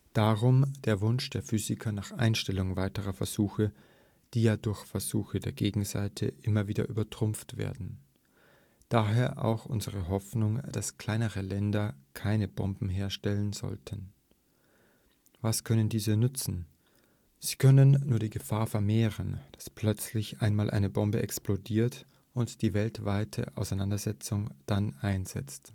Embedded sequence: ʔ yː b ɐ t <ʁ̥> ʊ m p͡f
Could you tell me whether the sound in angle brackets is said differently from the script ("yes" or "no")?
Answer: no